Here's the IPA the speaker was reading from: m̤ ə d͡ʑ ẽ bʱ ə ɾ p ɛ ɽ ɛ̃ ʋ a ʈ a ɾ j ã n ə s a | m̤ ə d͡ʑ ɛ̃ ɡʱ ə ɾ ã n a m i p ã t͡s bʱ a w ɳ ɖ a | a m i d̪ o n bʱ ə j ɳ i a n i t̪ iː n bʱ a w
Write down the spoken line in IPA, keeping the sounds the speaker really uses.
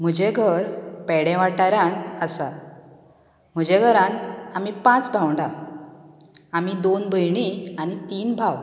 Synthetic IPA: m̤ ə d͡ʑ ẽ ɡʱ ə ɾ p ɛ ɽ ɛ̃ ʋ a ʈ a ɾ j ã n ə s a | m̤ ə d͡ʑ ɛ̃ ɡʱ ə ɾ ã n a m i p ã t͡s bʱ a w ɳ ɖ a | a m i d̪ o n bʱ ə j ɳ i a n i t̪ iː n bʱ a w